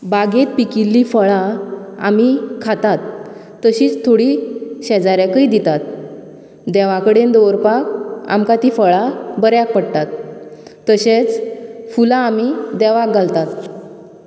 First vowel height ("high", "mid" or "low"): low